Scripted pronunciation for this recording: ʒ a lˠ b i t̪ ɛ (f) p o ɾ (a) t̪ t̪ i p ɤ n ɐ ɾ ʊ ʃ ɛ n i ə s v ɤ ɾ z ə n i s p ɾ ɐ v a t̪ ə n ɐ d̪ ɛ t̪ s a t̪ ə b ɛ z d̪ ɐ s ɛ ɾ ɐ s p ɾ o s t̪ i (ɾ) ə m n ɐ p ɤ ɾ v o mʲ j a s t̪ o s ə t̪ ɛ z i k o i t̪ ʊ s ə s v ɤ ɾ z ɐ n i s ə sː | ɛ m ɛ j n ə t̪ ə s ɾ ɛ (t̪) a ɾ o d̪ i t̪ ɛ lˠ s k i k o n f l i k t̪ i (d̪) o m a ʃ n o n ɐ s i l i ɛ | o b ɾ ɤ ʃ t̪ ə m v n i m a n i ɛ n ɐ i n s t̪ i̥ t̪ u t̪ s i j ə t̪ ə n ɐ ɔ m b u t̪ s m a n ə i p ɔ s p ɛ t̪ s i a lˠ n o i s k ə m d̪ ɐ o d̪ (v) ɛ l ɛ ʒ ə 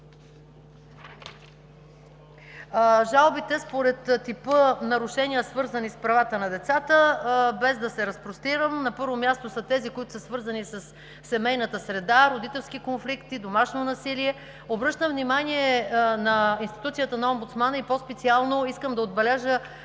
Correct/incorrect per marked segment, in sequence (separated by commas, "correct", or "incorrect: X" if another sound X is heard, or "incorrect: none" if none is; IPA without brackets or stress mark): incorrect: s, incorrect: ɛ, correct, incorrect: d̪, correct, incorrect: b